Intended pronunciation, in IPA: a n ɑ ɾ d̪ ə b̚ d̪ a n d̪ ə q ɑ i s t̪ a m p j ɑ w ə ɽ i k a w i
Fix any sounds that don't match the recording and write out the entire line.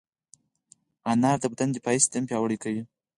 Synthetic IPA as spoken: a n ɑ ɾ d̪ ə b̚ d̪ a n d̪ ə p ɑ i s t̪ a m p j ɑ w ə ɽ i k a w i

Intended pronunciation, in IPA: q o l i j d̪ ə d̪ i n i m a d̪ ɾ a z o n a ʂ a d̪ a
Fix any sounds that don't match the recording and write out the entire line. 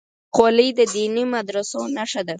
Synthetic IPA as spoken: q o l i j d̪ ə d̪ i n i m a d̪ ɾ a s o n a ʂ a d̪ a

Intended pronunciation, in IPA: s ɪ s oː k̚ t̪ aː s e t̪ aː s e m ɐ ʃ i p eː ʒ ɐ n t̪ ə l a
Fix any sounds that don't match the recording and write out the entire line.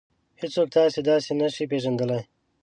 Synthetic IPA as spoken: h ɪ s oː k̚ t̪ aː s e d̪ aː s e n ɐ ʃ i p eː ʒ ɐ n d̪ ə l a

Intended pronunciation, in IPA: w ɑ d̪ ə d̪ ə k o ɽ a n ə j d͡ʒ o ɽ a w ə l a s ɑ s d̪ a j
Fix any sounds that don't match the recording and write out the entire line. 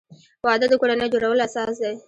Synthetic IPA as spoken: w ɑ d̪ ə d̪ ə k o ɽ a n ə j d͡ʒ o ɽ a w ə l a s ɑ s d̪ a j

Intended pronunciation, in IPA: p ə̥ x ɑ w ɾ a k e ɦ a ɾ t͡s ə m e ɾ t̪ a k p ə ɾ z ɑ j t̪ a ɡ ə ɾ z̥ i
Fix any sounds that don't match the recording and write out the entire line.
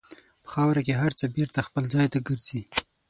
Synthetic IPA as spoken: p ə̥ x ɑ w ɾ a k e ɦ a ɾ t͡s ə b e ɾ t̪ a x p ə l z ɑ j t̪ a ɡ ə ɾ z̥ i

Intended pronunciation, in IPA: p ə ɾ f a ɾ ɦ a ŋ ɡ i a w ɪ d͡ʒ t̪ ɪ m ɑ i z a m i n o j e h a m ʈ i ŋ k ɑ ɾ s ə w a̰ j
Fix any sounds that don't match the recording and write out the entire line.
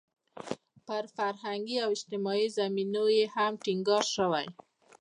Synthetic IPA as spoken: p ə ɾ f a ɾ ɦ a ŋ ɡ i a w ɪ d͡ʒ t̪ ɪ m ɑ i z a m i n o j e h a m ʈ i ŋ ɡ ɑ ɾ ʃ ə w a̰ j

